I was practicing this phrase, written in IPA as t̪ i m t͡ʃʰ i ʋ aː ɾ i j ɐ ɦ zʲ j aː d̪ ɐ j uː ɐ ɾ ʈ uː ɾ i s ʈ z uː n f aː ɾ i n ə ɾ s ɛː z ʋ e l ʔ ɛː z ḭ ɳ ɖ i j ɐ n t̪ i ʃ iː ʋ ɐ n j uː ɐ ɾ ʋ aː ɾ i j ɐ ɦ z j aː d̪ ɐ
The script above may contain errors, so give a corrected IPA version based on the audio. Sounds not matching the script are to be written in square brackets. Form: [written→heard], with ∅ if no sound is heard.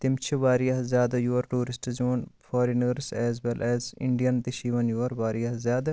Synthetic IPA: t̪ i m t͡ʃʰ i ʋ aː ɾ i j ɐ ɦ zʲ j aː d̪ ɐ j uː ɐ ɾ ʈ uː ɾ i s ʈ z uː n f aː ɾ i n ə ɾ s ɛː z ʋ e l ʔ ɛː z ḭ ɳ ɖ i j ɐ n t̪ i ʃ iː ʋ ɐ n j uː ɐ ɾ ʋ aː ɾ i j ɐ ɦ z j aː d̪ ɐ

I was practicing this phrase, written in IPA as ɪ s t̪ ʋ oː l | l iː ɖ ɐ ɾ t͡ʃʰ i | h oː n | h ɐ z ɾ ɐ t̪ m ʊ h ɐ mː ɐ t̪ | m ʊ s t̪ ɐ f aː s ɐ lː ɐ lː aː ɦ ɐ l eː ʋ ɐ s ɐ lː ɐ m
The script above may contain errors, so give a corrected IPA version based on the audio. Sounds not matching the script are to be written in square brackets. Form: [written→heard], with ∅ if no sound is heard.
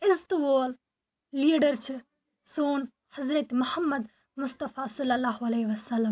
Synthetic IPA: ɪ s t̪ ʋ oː l | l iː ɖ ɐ ɾ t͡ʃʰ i | [h→s] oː n | h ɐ z ɾ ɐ t̪ m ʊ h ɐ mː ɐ [t̪→d̪] | m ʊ s t̪ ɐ f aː s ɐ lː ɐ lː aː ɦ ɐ l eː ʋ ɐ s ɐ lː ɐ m

